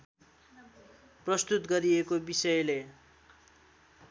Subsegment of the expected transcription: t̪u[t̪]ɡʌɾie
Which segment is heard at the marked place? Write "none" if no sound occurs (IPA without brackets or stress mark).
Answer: t̪